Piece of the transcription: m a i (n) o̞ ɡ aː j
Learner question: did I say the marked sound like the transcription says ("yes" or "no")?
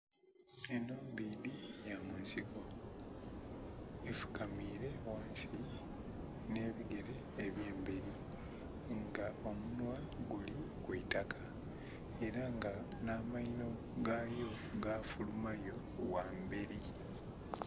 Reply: yes